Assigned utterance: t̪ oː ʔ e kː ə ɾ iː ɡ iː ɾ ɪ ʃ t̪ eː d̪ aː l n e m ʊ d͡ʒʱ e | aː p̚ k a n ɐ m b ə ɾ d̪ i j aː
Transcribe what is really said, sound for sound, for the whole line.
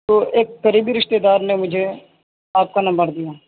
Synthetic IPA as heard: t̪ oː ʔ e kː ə ɾ iː b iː ɾ ɪ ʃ t̪ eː d̪ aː ɾ n e m ʊ d͡ʒʱ e | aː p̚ k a n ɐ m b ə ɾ d̪ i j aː